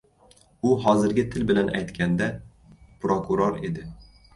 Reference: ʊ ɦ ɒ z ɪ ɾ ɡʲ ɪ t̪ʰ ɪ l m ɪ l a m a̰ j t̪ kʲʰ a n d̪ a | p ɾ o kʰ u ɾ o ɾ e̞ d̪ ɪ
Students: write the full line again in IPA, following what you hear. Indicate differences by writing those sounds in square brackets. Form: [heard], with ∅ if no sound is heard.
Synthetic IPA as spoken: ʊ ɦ ɒ z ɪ ɾ ɡʲ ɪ t̪ʰ ɪ l [b] ɪ l a [n] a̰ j t̪ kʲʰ a n d̪ a | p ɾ o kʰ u ɾ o ɾ e̞ d̪ ɪ